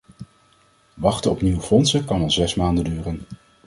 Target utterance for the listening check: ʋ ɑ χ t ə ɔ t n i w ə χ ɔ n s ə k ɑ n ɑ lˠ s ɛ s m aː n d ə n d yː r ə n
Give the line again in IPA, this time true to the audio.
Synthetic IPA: ʋ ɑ χ t ə ɔ p n i w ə f ɔ n s ə k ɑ n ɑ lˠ z ɛ s m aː n d ə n d yː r ə n